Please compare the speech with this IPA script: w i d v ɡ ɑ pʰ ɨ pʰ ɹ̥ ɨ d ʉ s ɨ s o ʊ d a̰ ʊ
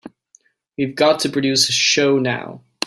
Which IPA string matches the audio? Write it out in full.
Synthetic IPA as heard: w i v ɡ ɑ tʰ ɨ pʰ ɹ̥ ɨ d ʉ s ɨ ʃ o ʊ n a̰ ʊ